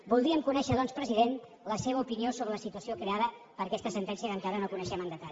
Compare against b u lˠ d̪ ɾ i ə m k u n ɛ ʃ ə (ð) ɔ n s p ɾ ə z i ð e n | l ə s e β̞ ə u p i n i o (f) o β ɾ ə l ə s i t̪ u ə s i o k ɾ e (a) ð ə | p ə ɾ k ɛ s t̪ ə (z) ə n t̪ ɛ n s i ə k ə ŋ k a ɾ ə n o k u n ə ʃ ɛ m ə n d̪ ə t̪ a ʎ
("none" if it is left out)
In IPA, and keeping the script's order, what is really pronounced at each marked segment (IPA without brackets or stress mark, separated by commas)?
ð, s, a, s